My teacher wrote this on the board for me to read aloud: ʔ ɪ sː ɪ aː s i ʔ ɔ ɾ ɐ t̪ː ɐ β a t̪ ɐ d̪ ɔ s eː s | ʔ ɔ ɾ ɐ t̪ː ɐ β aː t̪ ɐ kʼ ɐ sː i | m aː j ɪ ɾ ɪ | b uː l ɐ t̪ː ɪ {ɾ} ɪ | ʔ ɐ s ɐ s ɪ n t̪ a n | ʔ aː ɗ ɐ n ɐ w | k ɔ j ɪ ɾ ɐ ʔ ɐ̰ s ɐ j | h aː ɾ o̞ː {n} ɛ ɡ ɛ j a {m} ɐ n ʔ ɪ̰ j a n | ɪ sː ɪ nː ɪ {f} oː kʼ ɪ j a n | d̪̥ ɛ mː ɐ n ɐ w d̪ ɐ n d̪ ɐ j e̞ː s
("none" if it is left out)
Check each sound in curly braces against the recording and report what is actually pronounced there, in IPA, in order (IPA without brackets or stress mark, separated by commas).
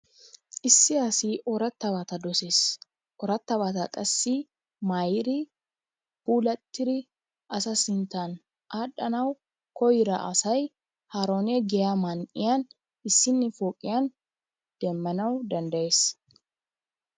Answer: ɾ, n, m, f